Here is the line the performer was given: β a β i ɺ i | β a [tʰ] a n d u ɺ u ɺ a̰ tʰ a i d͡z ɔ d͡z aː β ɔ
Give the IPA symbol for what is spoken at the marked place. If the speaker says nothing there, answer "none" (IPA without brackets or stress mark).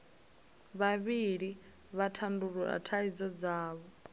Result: tʰ